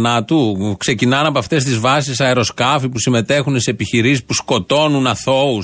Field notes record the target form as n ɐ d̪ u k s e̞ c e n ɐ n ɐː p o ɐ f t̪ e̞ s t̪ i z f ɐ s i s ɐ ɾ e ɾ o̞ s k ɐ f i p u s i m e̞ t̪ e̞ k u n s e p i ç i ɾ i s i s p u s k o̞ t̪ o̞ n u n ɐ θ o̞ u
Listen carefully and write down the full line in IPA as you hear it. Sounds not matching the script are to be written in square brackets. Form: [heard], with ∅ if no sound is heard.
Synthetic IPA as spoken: n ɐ [t̪] u k s e̞ c [i] n ɐ n [ɐ] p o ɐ f t̪ e̞ s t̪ i z [v] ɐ s i s ɐ [∅] e ɾ o̞ s k ɐ f i p u s i m e̞ t̪ e̞ [x] u n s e p i ç i ɾ i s i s p u s k o̞ t̪ o̞ n u n ɐ θ o̞ u